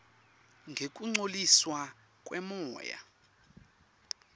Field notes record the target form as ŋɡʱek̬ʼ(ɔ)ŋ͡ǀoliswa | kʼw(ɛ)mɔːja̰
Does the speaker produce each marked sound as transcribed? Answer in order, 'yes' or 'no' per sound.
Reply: no, yes

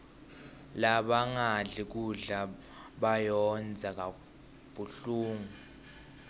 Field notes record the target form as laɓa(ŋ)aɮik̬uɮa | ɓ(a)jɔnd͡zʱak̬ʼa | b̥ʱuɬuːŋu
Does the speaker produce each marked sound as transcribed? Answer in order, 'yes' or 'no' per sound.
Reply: yes, yes

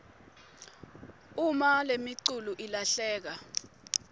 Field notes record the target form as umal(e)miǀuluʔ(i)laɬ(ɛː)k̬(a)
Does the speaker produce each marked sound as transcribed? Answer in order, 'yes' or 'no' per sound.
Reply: yes, yes, yes, yes

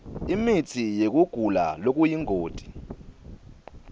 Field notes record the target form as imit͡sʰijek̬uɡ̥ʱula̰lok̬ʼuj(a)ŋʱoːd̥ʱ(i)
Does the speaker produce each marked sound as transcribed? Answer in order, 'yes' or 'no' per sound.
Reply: no, yes

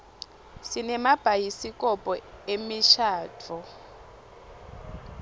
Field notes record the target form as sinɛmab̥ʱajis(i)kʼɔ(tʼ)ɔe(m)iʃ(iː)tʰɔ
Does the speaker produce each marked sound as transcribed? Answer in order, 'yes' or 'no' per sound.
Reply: yes, no, yes, no

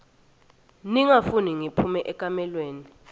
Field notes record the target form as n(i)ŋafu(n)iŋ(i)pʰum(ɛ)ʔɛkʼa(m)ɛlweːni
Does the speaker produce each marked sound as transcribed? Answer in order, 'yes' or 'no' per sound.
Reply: yes, yes, yes, yes, yes

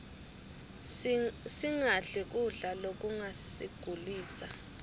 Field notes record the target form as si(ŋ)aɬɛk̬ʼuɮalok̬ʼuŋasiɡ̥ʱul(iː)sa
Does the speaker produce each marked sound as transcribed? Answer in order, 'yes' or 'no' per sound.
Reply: yes, yes

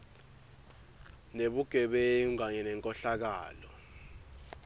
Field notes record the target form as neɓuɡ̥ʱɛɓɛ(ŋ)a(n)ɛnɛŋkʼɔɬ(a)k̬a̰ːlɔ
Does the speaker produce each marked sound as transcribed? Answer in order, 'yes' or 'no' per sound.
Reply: yes, no, yes

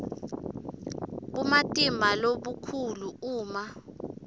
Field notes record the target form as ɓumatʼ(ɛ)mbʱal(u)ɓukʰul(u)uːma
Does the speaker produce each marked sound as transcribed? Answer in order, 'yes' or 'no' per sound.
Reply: no, no, yes

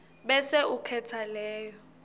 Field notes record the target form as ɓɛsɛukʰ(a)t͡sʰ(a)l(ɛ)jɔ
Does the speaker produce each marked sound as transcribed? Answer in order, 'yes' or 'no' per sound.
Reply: no, yes, no

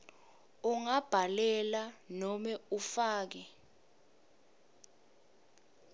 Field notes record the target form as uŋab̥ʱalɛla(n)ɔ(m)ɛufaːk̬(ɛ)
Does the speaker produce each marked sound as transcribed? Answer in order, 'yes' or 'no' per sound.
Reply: yes, yes, yes

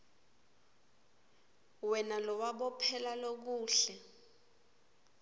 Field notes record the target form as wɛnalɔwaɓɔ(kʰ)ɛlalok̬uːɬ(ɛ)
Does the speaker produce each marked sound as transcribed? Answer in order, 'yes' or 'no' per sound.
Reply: no, yes

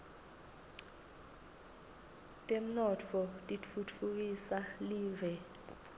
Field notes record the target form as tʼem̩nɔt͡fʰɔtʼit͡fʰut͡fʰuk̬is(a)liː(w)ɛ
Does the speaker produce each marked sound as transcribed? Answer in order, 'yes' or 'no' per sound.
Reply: yes, no

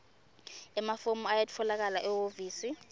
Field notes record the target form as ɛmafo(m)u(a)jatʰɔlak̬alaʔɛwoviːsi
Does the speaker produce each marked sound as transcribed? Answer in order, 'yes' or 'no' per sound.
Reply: yes, yes

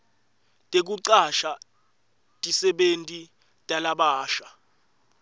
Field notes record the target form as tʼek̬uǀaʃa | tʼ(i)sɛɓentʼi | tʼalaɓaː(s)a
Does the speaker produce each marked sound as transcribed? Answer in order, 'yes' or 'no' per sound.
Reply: yes, no

